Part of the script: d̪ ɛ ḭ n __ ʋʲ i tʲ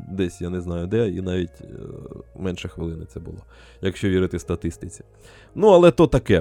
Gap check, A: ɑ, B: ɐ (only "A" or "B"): A